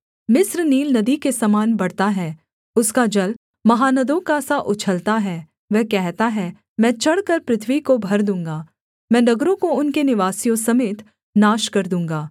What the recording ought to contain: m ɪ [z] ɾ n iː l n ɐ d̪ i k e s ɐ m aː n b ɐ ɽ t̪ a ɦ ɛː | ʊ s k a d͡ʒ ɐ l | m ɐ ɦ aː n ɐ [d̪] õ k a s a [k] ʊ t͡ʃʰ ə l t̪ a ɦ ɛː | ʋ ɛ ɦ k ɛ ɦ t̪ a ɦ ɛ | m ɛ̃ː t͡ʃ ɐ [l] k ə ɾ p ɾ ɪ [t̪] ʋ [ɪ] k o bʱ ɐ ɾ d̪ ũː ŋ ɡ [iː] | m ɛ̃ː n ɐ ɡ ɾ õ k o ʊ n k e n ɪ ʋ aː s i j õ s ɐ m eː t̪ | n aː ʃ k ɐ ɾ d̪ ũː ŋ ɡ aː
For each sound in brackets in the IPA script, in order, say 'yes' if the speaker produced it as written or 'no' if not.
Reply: no, yes, no, no, no, no, no

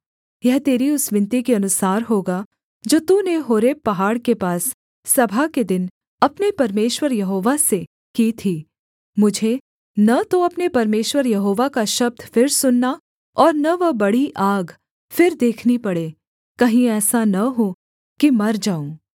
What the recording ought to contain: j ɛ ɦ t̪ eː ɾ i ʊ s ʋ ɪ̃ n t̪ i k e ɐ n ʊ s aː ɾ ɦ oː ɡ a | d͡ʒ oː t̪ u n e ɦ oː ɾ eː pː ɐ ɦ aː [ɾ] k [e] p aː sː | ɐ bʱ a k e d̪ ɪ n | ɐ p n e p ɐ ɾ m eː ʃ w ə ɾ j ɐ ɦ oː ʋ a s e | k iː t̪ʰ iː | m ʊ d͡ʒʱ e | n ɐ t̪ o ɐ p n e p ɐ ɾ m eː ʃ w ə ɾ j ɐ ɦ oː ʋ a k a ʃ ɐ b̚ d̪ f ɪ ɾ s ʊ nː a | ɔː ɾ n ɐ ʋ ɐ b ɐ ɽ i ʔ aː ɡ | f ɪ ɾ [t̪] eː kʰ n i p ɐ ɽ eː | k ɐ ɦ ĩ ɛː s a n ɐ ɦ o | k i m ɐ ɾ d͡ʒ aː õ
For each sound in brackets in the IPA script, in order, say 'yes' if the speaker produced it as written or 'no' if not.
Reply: no, yes, no

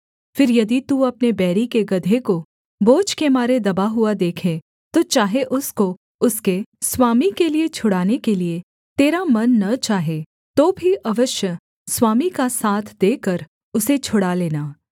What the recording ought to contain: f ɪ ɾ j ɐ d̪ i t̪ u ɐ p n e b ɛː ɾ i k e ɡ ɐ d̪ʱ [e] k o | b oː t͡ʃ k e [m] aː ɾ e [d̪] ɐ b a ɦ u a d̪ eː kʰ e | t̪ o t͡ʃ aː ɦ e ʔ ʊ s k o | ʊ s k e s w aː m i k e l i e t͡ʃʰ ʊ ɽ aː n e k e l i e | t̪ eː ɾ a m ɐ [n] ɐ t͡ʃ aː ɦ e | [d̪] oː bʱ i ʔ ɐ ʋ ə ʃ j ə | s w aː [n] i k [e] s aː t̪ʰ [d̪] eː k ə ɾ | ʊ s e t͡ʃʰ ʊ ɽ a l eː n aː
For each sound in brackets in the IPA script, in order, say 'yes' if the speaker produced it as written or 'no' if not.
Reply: yes, yes, yes, no, no, no, no, yes

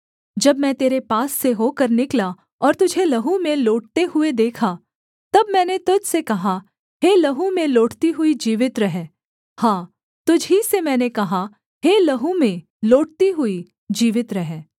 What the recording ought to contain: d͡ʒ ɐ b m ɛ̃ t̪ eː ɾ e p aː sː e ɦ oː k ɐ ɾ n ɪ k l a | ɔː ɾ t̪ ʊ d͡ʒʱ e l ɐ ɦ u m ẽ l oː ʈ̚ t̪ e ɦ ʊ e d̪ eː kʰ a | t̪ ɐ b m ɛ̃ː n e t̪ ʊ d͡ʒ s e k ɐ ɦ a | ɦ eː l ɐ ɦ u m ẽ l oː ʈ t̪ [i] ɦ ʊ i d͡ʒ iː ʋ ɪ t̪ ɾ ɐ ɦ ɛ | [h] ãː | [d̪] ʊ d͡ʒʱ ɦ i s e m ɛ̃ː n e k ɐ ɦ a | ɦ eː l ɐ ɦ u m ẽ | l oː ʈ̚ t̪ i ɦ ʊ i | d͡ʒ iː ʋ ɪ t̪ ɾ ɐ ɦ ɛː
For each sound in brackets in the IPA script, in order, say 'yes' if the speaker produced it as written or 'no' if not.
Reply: yes, yes, no

